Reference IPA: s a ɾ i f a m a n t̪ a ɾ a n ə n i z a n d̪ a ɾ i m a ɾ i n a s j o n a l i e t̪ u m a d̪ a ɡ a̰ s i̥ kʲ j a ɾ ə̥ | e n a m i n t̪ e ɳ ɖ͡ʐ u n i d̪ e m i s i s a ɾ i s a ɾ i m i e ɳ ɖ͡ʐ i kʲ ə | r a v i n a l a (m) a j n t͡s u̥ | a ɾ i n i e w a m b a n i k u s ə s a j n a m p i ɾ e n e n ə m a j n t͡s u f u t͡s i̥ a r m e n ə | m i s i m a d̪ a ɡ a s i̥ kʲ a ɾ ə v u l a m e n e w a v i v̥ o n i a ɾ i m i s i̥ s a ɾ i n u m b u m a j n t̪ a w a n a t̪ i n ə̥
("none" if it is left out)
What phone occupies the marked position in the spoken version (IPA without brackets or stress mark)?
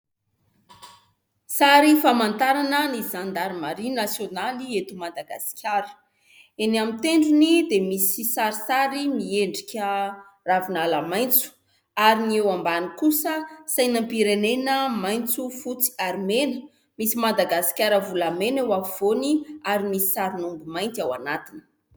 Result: m